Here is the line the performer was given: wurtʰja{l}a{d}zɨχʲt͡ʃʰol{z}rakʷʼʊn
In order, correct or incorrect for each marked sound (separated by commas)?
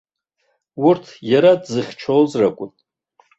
incorrect, correct, correct